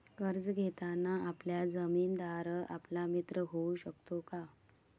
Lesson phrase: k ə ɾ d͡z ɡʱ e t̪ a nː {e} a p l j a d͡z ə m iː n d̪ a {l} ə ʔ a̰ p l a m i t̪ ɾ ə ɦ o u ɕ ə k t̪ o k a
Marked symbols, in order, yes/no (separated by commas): no, no